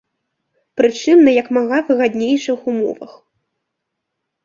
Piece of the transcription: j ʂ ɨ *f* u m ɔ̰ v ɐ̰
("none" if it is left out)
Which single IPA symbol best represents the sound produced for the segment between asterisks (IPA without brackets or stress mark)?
x